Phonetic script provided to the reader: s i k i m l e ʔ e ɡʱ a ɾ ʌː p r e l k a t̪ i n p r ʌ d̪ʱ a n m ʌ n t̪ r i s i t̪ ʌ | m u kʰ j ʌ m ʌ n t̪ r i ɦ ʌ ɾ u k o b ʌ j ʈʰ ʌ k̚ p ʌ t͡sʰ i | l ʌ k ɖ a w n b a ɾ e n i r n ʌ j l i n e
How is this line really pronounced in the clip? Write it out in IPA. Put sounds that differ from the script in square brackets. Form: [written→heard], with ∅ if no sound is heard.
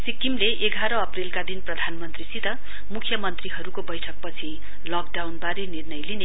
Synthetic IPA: s i k i m l e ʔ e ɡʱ a ɾ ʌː p r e l k a [t̪→d̪] i n p r ʌ d̪ʱ a n m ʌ n t̪ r i s i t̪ ʌ | m u kʰ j ʌ m ʌ n t̪ r i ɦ ʌ ɾ u k o b ʌ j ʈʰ ʌ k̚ p ʌ t͡sʰ i | l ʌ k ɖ a w n b a ɾ e n i r n ʌ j l i n e